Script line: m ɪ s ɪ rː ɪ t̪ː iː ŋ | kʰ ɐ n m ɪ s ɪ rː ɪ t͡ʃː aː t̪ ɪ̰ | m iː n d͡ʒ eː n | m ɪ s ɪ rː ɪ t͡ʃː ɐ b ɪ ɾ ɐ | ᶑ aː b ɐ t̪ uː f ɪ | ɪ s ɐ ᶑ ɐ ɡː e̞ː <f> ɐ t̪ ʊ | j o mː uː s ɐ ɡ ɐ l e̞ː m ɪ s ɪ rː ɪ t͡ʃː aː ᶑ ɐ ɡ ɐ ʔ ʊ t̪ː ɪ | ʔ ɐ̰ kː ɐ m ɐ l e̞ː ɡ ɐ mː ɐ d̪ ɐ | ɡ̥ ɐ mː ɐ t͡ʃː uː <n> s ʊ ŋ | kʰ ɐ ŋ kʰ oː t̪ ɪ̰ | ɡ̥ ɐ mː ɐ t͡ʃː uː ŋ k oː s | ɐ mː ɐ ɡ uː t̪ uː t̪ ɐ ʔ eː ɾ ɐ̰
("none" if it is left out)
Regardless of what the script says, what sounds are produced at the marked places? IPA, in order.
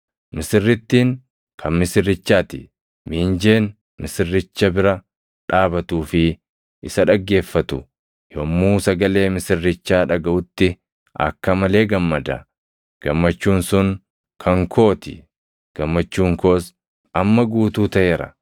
fː, n

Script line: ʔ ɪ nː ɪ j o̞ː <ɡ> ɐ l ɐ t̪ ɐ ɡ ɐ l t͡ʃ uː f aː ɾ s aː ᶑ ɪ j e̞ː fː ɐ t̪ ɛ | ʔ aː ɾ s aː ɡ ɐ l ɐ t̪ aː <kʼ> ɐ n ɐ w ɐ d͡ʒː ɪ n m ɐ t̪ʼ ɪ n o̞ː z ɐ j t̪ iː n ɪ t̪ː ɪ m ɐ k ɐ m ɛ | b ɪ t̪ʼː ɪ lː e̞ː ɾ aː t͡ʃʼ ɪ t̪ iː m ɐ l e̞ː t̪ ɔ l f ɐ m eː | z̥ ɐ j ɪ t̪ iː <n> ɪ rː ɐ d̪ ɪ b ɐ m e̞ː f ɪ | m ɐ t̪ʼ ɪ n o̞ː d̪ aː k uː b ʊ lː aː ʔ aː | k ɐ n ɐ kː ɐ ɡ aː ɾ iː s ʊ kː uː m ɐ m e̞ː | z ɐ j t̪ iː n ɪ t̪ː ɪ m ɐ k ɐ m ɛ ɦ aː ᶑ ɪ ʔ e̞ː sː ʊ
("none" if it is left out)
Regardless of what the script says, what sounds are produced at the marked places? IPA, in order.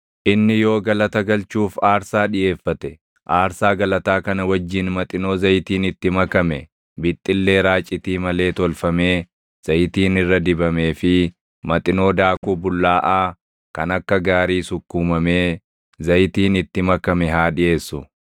ɡ, k, n

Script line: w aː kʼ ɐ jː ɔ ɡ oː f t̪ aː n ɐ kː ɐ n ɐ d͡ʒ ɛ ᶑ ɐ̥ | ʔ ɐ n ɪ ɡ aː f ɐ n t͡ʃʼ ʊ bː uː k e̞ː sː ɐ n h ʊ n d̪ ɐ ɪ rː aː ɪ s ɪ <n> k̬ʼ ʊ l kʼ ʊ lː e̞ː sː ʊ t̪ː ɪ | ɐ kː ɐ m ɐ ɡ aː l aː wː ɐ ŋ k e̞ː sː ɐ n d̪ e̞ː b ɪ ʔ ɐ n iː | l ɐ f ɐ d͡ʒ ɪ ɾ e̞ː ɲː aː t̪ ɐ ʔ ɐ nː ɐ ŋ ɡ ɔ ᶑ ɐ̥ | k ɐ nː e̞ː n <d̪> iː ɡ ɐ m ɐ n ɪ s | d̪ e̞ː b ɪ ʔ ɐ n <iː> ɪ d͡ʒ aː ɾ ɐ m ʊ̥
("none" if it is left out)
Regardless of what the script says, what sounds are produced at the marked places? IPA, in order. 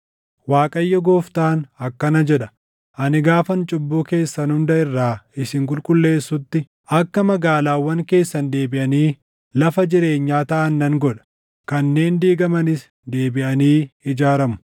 ŋ, d̪, iː

